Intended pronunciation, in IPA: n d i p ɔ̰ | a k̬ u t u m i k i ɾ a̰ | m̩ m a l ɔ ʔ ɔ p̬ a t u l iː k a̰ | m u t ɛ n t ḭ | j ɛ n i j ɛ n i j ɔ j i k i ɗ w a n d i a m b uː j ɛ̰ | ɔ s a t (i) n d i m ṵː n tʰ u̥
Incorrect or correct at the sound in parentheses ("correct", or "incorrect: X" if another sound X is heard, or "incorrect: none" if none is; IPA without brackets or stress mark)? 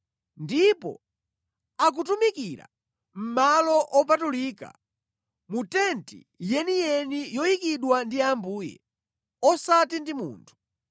correct